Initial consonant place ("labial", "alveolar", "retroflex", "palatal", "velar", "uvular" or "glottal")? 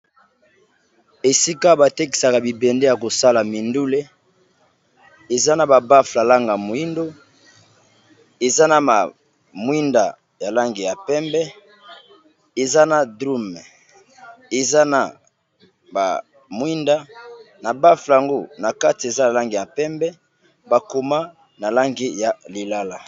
alveolar